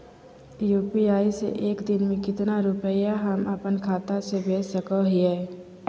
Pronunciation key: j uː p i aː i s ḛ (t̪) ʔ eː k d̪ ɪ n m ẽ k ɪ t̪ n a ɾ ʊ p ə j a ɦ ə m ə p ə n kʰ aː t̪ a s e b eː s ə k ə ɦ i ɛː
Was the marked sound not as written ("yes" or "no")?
yes